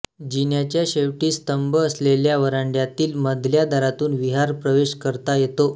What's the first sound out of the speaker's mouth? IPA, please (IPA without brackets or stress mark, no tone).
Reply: d͡ʑ